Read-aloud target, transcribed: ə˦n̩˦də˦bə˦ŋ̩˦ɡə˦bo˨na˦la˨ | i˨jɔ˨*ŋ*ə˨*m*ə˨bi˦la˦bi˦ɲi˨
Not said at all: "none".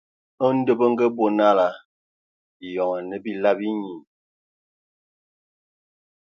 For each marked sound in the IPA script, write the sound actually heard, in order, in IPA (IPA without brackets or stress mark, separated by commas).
ŋ, n